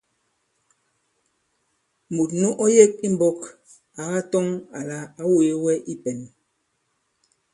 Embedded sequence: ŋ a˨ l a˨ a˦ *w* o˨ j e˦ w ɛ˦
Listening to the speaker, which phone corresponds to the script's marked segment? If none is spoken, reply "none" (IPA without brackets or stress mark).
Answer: w